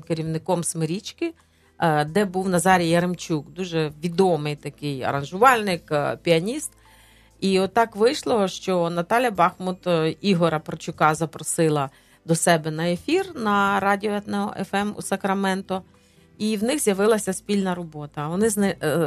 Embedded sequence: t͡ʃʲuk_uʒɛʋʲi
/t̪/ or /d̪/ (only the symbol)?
d̪